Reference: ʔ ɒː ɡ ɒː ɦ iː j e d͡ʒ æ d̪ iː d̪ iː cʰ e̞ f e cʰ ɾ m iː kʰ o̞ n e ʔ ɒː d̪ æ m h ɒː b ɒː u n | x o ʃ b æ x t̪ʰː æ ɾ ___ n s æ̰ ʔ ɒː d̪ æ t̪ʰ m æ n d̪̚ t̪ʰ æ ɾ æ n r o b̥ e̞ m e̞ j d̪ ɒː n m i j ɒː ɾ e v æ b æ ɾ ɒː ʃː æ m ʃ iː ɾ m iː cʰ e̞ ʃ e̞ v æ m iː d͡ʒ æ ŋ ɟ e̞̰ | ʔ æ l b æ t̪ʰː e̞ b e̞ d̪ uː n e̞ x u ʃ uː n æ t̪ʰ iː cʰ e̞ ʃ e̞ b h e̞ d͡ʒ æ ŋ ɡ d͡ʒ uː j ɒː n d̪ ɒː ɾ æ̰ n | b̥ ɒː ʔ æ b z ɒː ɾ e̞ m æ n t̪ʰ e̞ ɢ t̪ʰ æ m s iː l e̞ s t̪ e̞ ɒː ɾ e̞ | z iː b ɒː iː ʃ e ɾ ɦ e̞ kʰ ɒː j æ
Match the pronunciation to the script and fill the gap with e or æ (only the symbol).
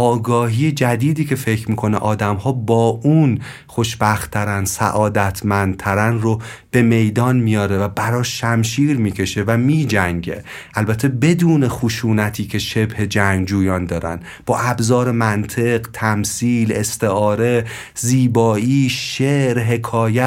æ